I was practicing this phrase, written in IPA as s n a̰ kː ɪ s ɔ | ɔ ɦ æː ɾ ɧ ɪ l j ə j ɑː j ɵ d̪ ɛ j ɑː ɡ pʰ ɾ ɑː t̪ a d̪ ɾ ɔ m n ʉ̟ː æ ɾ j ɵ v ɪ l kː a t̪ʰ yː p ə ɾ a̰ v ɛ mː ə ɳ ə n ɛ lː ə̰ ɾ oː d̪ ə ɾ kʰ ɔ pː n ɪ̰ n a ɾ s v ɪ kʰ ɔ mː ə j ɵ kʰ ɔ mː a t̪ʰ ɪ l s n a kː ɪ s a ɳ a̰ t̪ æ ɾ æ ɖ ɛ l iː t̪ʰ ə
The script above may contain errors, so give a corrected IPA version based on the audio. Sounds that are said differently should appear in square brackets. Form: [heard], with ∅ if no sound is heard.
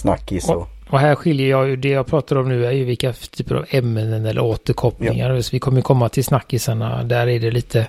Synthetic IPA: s n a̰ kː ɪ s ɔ | ɔ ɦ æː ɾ ɧ ɪ l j ə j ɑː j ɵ d̪ ɛ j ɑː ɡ pʰ ɾ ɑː t̪ a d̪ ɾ ɔ m n ʉ̟ː æ ɾ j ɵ v ɪ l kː a t̪ʰ yː p ə ɾ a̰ v ɛ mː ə [n] ə n ɛ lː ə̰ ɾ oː [t̪] ə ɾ kʰ ɔ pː n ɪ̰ [ŋ] a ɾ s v ɪ kʰ ɔ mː ə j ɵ kʰ ɔ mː a t̪ʰ ɪ l s n a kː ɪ s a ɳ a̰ [d̪] æ ɾ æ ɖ ɛ l iː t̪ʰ ə